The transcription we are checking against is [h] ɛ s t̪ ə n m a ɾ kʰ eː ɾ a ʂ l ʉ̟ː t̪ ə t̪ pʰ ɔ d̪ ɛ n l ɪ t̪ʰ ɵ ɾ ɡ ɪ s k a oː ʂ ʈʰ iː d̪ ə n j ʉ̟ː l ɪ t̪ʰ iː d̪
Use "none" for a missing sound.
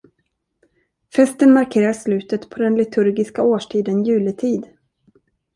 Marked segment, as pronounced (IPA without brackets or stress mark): f